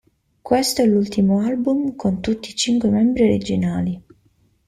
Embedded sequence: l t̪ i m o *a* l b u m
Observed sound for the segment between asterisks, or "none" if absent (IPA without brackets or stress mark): a